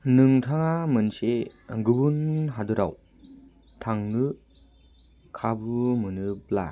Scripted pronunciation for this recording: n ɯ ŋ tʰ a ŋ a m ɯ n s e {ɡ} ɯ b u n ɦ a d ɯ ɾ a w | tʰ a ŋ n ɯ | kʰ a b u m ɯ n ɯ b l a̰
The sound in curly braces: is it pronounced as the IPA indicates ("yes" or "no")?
yes